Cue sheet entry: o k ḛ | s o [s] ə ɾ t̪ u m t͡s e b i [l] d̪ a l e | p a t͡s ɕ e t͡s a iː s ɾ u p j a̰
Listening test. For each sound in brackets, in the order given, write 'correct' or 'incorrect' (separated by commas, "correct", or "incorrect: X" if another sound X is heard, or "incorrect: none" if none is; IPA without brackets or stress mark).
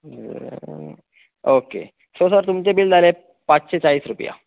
correct, correct